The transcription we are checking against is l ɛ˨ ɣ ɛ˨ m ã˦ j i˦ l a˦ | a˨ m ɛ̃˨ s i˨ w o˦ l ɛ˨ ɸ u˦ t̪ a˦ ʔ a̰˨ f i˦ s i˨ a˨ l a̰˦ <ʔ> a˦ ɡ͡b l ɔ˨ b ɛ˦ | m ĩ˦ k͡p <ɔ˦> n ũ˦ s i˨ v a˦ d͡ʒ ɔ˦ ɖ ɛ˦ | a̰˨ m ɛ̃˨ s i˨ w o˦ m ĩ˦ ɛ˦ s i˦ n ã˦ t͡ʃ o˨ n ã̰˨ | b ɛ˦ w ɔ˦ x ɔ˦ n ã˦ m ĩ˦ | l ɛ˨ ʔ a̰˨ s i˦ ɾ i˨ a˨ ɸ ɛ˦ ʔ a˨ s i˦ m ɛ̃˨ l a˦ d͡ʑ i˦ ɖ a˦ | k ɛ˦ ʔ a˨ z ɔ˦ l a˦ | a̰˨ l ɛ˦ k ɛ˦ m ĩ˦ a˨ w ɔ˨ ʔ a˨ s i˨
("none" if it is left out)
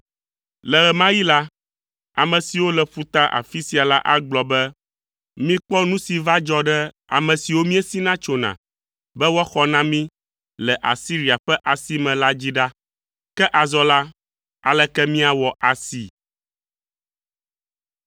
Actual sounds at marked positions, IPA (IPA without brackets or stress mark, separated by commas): ʔ, ɔ˦